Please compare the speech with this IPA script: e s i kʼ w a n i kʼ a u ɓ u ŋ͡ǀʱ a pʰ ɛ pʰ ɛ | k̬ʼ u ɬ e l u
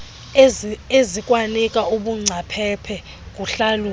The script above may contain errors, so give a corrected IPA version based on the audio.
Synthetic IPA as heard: e z i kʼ w a n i kʼ a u ɓ u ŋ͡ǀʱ a pʰ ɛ pʰ ɛ | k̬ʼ u ɬ a l u